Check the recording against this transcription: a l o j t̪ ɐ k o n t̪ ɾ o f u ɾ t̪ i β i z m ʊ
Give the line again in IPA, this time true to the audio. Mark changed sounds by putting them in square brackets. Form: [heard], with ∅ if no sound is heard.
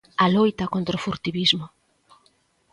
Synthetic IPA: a l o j t̪ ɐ k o n t̪ ɾ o f u ɾ t̪ i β i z m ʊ